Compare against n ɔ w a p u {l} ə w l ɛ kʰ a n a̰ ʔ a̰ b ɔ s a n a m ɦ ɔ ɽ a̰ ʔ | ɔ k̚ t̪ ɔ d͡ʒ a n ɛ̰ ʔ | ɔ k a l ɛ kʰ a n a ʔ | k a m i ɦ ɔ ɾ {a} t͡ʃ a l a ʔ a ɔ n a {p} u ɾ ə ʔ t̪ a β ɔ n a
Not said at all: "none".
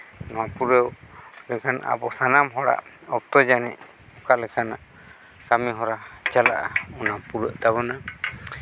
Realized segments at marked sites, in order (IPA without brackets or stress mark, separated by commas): ɾ, a, p